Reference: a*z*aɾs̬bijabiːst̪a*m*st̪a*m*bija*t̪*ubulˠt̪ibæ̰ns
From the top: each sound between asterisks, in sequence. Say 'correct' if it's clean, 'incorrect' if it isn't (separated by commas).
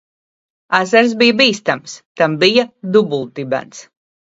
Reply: correct, correct, correct, incorrect